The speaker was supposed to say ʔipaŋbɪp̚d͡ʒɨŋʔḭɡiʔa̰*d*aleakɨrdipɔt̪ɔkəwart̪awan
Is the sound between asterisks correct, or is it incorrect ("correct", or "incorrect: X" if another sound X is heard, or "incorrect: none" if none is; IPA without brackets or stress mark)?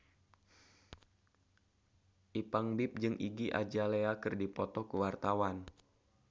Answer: incorrect: d͡ʒ